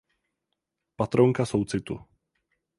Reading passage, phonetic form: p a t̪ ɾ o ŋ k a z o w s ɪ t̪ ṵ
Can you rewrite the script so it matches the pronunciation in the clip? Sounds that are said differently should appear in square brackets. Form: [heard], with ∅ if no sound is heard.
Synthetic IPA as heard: p a t̪ ɾ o ŋ k a [s] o w [t͡s] ɪ t̪ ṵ